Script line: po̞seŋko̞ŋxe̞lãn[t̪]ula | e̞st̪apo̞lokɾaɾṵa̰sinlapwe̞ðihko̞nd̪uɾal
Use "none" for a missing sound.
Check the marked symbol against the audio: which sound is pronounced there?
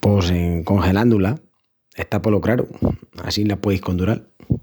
d̪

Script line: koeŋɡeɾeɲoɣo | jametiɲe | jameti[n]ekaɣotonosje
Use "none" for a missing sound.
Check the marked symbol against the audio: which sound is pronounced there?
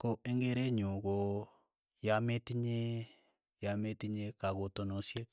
ɲ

